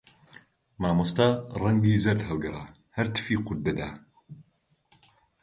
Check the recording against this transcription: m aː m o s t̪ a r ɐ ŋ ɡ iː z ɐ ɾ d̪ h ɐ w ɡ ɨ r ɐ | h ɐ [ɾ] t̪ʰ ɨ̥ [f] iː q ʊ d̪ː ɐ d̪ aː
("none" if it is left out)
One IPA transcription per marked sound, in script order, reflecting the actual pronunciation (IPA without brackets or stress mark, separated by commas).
ɾ, f